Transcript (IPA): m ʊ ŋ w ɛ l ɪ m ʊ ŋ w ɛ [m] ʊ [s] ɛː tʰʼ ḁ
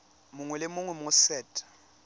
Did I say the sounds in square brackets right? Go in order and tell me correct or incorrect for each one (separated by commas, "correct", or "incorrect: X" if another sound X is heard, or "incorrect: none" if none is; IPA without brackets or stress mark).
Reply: correct, correct